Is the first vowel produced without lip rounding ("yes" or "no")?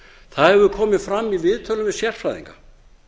yes